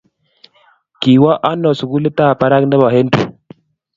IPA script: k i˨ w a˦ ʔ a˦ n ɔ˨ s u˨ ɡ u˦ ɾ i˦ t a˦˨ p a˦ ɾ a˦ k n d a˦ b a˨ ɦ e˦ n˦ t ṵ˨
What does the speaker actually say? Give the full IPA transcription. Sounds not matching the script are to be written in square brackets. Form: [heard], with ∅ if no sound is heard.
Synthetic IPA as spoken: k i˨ w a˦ ʔ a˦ n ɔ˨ s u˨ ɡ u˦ [l] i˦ t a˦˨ p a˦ ɾ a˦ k n d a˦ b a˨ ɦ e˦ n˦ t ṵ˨

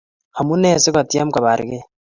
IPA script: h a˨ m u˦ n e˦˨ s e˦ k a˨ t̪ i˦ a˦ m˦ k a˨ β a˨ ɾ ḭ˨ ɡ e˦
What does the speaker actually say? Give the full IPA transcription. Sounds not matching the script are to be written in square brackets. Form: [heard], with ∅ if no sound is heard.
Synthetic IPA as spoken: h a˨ m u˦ n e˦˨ s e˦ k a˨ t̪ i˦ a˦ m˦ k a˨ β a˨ ɾ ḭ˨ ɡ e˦

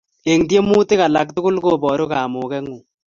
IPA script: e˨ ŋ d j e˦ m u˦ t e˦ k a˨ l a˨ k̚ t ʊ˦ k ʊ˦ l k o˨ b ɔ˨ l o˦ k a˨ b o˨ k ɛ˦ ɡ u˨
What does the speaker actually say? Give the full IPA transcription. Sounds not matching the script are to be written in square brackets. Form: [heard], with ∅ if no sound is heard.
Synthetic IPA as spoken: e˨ ŋ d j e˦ m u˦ t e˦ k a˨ l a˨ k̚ t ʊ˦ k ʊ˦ l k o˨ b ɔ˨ [ɾ] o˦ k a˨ [m] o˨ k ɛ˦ [ŋ] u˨

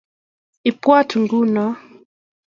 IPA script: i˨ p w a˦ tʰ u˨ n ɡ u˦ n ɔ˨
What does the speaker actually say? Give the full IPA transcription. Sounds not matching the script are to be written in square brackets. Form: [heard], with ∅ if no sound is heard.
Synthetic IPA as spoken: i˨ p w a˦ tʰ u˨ [ŋ] ɡ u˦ n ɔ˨

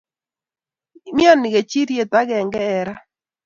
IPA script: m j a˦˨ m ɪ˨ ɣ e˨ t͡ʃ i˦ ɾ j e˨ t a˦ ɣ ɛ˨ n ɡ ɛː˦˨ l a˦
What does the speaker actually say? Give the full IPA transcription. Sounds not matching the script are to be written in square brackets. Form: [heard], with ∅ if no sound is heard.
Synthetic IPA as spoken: m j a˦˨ [n] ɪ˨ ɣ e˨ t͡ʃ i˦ ɾ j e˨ t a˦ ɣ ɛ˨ [ŋ] ɡ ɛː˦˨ [ɾ] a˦

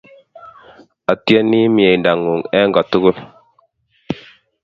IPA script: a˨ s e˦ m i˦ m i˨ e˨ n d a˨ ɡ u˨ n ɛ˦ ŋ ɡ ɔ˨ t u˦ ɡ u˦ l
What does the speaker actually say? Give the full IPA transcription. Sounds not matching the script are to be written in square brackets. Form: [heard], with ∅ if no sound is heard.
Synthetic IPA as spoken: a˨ [t] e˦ [n] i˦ m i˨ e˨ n d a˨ [ŋ] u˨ [ŋ] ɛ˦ ŋ ɡ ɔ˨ t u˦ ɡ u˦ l

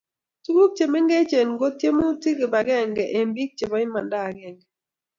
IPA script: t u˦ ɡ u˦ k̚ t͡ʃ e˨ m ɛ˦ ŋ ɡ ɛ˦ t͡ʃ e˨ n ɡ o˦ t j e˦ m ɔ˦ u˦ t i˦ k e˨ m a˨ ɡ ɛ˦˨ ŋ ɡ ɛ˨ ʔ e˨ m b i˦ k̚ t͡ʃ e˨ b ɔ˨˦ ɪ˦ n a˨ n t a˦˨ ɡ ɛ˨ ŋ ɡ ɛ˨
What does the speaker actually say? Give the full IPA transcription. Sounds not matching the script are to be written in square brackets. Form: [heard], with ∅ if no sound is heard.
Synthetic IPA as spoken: t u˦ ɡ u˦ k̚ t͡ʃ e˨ m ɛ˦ ŋ ɡ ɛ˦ t͡ʃ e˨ n ɡ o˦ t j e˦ m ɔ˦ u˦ t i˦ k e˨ [b] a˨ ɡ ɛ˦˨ ŋ ɡ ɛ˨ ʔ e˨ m b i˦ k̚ t͡ʃ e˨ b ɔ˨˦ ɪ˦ [m] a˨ n [d] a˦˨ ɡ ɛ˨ ŋ ɡ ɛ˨

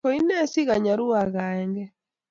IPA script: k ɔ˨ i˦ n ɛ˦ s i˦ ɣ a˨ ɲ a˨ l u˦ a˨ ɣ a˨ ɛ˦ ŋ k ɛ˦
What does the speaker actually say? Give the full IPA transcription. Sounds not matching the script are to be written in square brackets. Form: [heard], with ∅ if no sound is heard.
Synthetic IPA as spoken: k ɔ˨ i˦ n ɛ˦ s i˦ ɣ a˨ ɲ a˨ [ɾ] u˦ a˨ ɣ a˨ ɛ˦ ŋ [ɡ] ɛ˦

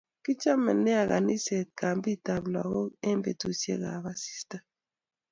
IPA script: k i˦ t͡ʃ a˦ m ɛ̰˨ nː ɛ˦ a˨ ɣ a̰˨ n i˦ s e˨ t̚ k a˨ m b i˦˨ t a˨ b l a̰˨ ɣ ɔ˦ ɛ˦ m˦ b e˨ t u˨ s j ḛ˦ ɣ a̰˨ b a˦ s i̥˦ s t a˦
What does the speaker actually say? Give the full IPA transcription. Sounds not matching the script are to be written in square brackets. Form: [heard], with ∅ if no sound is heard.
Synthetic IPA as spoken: k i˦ t͡ʃ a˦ m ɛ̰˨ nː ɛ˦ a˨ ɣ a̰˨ n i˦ s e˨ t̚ k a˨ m b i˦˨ t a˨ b l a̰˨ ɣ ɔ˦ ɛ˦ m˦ b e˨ t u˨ s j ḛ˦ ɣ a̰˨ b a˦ s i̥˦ s t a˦

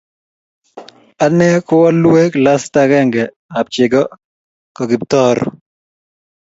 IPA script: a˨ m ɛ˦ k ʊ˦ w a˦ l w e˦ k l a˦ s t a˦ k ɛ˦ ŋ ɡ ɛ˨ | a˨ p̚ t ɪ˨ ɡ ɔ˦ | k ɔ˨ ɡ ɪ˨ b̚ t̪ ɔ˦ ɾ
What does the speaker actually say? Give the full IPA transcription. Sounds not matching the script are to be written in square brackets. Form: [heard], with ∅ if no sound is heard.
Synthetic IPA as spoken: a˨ [n] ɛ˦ k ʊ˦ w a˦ l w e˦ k l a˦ s t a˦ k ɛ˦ ŋ ɡ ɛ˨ | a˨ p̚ [t͡ʃ] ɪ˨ ɡ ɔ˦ | k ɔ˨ ɡ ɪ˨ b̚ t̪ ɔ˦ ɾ

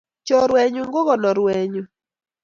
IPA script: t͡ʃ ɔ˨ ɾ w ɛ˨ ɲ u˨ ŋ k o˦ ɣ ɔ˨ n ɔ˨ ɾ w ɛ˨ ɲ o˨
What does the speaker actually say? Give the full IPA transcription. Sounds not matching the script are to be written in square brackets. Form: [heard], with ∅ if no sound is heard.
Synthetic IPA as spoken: t͡ʃ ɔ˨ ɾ w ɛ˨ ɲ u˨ ŋ [ɡ] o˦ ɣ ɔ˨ n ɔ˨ ɾ w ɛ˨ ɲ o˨

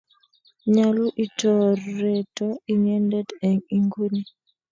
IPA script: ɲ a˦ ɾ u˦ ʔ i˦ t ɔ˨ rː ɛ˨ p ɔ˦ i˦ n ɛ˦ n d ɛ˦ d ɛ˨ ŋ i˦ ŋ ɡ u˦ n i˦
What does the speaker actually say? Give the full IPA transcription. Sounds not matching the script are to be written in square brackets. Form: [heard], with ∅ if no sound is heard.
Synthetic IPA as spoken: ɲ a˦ [l] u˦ ʔ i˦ t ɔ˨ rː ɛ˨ [t] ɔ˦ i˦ [ɲ] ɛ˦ n d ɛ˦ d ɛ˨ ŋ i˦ ŋ ɡ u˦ n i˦

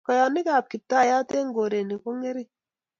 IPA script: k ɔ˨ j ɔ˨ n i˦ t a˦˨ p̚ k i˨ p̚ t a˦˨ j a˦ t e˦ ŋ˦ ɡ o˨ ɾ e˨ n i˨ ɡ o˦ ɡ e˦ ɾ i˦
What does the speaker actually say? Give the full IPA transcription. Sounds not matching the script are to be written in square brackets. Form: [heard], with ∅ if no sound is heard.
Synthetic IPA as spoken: k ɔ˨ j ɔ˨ n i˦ [k] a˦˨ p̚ k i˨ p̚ t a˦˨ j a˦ t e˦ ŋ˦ ɡ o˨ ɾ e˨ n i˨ [k] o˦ [ŋ] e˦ ɾ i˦

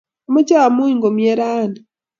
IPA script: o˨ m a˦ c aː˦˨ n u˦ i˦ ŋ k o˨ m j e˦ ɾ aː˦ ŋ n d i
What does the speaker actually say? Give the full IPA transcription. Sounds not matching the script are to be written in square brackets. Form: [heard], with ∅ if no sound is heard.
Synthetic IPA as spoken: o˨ m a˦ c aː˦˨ [m] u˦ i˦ ŋ [ɡ] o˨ m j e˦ ɾ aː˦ [∅] n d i

